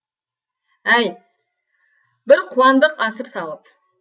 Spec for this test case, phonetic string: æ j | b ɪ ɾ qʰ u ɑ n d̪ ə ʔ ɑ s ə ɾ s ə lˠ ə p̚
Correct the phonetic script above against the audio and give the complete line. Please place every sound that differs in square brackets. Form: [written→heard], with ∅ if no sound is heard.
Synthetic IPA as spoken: æ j | b ɪ ɾ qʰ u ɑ n d̪ ə [ʔ→q] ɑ s ə ɾ s [ə→ɑ] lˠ ə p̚